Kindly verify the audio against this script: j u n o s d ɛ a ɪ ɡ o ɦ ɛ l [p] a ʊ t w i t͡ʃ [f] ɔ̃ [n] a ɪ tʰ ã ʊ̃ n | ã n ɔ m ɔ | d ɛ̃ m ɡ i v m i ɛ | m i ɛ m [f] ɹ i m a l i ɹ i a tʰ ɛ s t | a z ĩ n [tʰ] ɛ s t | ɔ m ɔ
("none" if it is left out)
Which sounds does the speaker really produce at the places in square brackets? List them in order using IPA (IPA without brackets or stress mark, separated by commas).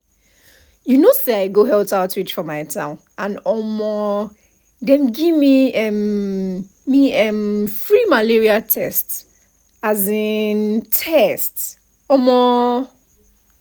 t, f, m, f, tʰ